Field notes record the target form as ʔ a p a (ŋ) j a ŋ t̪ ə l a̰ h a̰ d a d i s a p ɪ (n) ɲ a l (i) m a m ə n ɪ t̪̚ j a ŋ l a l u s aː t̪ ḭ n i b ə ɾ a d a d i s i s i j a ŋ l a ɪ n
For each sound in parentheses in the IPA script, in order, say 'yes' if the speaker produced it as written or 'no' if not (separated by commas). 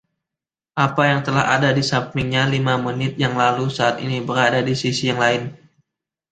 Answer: no, no, yes